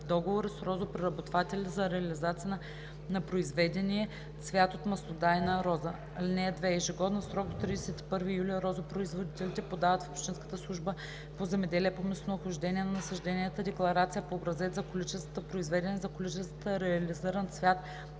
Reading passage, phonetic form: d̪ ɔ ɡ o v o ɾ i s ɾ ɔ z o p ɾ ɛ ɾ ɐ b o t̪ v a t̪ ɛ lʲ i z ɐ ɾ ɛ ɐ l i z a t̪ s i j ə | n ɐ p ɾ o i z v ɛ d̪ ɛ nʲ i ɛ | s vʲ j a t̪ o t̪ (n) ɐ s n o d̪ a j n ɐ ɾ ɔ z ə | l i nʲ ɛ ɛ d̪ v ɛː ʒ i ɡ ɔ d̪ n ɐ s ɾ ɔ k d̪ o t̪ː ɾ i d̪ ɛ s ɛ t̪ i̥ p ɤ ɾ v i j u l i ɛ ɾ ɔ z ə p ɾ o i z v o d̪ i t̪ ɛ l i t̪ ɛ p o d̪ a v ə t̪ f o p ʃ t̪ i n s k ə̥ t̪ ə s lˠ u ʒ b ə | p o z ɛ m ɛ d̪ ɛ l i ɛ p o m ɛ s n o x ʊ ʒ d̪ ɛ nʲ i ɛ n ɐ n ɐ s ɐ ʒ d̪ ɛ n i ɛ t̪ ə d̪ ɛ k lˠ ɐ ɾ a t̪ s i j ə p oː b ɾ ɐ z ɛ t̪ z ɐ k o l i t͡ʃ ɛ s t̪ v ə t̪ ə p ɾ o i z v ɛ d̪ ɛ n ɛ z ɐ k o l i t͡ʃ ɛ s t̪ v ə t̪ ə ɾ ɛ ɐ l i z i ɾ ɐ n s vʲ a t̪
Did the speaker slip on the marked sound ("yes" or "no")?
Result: yes